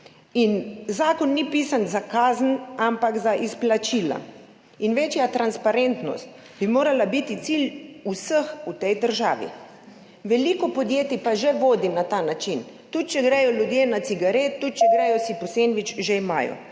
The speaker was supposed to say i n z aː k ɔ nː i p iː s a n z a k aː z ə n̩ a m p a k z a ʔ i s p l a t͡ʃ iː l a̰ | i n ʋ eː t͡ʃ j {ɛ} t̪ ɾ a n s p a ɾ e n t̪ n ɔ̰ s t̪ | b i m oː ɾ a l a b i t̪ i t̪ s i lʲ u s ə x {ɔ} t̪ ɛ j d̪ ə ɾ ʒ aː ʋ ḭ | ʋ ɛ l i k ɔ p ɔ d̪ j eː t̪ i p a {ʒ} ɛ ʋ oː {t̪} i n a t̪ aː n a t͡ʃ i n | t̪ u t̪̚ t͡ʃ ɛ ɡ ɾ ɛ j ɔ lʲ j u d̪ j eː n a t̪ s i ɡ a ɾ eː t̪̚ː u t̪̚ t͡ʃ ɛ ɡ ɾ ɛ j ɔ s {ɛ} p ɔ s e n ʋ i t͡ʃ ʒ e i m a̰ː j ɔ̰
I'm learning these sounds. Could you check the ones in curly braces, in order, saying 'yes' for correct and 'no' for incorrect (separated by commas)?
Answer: no, no, yes, no, no